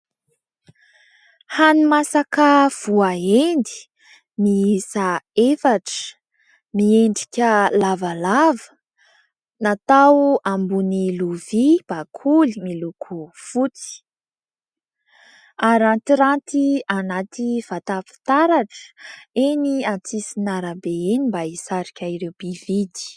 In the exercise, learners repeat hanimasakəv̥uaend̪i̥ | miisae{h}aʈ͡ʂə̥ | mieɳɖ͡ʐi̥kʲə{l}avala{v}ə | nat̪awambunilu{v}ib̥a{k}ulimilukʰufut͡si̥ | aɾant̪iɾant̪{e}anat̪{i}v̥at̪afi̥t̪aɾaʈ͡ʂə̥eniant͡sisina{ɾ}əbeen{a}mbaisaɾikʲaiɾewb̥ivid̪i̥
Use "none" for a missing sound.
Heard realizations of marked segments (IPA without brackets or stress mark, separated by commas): f, l, v, v, kʰ, i, i, ɾ, i